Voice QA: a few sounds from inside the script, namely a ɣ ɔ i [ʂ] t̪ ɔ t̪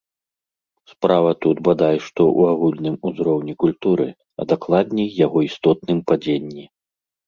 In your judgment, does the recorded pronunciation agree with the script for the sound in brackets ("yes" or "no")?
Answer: no